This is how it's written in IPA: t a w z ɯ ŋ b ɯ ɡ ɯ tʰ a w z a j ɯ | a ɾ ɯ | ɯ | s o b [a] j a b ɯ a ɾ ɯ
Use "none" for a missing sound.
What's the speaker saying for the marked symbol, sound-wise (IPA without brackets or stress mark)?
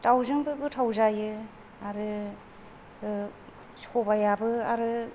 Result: a